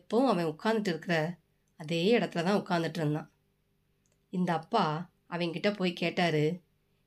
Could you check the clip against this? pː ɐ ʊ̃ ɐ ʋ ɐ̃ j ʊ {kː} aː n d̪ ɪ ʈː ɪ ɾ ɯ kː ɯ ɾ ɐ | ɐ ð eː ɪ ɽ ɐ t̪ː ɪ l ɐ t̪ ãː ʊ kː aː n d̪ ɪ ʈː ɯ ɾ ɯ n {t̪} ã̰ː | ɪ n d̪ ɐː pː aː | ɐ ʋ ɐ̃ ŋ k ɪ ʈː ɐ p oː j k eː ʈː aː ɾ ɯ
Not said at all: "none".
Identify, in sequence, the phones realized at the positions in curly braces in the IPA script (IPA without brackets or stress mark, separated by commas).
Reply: kː, d̪